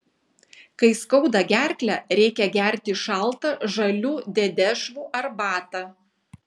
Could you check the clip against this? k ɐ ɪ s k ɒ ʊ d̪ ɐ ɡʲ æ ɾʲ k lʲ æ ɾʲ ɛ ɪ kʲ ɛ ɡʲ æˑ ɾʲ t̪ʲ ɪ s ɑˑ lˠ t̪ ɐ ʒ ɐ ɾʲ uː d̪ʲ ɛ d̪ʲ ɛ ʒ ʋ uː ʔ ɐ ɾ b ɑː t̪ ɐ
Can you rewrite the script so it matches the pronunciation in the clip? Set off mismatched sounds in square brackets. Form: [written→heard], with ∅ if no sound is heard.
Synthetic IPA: k ɐ ɪ s k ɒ ʊ d̪ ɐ ɡʲ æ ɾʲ k lʲ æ ɾʲ ɛ ɪ kʲ ɛ ɡʲ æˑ ɾʲ t̪ʲ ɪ [s→ʃ] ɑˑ lˠ t̪ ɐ ʒ ɐ [ɾʲ→lʲ] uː d̪ʲ ɛ d̪ʲ ɛ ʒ ʋ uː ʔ ɐ ɾ b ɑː t̪ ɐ